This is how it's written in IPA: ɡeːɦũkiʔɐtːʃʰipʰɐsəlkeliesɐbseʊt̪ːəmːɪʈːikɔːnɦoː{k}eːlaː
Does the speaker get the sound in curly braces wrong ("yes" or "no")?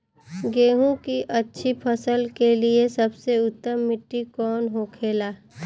yes